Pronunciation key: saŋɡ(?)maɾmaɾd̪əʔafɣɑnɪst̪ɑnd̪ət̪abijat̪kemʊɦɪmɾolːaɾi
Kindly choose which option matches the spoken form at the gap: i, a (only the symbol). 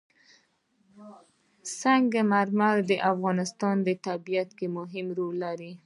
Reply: a